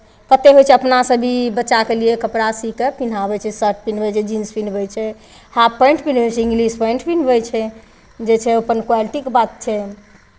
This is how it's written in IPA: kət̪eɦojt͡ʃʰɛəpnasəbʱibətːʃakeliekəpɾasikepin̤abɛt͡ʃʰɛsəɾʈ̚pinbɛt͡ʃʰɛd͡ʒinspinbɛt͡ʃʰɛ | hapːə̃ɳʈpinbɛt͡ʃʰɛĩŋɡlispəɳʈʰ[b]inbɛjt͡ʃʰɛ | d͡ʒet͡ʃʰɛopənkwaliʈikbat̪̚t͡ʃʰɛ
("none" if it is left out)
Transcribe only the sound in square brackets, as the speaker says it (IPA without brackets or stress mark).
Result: p